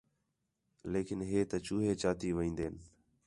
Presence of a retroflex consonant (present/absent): absent